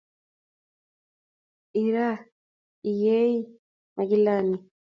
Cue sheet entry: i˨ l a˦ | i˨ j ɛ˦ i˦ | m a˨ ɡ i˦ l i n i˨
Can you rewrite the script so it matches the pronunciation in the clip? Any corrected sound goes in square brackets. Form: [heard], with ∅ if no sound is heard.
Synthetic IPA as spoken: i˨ [ɾ] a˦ | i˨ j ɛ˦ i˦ | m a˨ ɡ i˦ l [a] n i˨

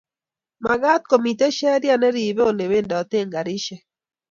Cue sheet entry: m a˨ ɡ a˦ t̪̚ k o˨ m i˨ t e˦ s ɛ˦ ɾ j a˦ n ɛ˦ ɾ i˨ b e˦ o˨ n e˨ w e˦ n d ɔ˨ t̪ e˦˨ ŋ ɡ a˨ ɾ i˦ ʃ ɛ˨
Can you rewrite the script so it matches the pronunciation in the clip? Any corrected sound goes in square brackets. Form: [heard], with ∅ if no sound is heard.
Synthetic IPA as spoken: m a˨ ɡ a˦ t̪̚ k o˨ m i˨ t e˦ [ʃ] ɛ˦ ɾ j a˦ n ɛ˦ ɾ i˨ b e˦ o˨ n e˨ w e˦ n d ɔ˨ t̪ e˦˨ ŋ ɡ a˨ ɾ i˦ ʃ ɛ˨

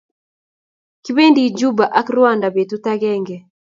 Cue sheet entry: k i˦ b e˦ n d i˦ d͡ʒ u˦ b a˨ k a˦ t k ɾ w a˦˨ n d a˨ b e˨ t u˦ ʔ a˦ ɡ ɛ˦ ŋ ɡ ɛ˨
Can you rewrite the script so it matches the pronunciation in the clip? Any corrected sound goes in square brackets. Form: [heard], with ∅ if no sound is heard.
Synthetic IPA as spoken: k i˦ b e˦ n d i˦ d͡ʒ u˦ b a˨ [ʔ] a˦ [∅] k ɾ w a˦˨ n d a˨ b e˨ t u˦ [t] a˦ ɡ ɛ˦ ŋ ɡ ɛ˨

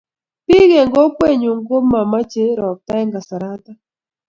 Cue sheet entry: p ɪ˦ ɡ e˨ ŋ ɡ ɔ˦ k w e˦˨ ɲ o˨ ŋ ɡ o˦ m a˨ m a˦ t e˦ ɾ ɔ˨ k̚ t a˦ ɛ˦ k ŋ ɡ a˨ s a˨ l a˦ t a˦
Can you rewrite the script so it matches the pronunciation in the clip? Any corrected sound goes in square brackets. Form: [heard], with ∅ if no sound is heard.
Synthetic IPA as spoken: p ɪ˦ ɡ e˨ ŋ ɡ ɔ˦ k w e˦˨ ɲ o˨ ŋ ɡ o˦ m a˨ m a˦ [t͡ʃ] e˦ ɾ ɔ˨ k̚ t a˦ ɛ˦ [∅] ŋ ɡ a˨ s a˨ [ɾ] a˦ t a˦

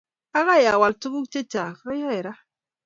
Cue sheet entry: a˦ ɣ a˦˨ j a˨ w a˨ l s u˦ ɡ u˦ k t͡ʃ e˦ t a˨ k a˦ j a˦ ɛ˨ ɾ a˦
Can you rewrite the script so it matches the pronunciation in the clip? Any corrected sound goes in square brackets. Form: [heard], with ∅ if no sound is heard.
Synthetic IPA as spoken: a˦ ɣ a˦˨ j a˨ w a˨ l [t] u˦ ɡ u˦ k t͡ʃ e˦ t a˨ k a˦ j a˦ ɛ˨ ɾ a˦

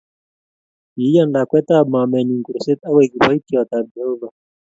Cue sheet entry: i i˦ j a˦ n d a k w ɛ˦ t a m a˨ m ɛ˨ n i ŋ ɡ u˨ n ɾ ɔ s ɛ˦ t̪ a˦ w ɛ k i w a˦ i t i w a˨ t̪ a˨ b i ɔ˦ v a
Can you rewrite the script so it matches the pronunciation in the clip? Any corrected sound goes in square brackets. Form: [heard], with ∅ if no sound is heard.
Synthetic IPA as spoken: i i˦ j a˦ n d a k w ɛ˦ t a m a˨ m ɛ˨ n i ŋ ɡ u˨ [∅] ɾ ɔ s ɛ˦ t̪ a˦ w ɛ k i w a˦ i t i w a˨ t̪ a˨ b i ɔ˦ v a

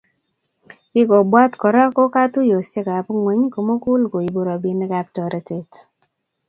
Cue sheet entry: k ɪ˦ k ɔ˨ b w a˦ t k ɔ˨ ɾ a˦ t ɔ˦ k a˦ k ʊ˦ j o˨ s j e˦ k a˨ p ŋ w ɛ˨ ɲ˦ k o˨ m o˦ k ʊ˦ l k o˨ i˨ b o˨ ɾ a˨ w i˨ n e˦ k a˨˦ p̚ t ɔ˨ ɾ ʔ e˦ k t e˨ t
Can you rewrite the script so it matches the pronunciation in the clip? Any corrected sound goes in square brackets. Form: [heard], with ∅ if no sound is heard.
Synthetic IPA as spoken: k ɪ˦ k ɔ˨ b w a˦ t k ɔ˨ ɾ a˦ [k] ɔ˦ k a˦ [t] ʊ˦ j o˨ s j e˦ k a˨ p ŋ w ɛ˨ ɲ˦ k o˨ m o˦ k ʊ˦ l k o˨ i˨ b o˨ ɾ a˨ [b] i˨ n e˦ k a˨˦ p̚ t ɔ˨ ɾ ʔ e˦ [∅] t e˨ t

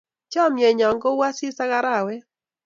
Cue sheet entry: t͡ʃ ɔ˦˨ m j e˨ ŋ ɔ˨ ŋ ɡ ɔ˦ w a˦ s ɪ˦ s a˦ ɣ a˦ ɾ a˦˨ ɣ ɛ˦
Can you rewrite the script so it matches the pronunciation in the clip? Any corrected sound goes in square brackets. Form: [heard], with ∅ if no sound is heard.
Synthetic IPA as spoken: t͡ʃ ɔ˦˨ m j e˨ [ɲ] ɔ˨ ŋ ɡ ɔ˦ w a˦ s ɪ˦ s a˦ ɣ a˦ ɾ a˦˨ [w] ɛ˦

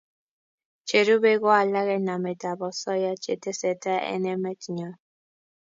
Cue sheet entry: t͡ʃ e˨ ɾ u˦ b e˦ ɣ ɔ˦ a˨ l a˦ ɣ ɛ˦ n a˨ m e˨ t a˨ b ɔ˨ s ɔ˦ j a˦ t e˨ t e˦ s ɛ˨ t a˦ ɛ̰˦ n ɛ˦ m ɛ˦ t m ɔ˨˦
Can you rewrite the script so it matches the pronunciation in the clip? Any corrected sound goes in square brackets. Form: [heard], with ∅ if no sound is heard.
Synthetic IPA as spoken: t͡ʃ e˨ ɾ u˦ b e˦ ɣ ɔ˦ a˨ l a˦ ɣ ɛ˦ n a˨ m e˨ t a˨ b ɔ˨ s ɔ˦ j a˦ [t͡ʃ] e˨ t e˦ s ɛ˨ t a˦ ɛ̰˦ n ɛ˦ m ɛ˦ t [ɲ] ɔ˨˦

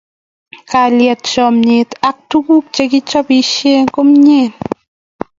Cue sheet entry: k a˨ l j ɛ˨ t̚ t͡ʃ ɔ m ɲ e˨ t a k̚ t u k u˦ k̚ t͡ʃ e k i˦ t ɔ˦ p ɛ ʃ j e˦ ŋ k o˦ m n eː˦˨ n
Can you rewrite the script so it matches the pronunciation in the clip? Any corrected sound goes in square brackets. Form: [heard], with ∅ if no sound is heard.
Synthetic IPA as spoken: k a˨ l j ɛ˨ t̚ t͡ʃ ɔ m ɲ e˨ t a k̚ t u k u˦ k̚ t͡ʃ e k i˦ [t͡ʃ] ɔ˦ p [i] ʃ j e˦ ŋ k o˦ m [ɲ] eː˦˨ n

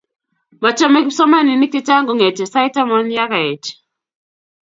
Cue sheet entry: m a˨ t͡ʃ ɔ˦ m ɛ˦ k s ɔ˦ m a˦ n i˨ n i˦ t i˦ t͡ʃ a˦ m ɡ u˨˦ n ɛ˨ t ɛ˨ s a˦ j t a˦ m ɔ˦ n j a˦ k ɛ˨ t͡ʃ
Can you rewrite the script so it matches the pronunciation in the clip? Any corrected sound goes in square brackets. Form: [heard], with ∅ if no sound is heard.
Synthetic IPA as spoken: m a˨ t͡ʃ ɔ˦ m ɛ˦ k s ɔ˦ m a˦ n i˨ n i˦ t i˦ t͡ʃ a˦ [ŋ] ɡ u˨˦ [ŋ] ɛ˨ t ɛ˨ s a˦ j t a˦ m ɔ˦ n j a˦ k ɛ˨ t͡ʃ

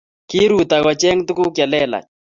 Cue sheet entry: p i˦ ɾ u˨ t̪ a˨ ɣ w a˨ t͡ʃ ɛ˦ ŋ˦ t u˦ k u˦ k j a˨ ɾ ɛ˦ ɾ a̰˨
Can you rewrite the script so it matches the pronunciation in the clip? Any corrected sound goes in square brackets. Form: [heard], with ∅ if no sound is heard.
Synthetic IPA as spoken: [k] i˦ ɾ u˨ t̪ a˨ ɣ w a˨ t͡ʃ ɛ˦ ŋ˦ t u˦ k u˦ k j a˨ [l] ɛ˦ [l] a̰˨

